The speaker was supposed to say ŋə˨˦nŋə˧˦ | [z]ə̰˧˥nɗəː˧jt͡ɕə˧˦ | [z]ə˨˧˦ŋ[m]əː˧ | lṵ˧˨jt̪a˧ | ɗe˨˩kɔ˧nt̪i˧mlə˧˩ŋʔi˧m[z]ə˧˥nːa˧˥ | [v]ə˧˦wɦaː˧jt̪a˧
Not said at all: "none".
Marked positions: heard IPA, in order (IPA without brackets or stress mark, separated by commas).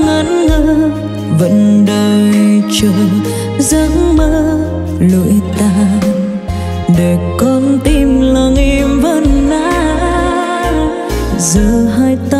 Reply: v, z, m, v, z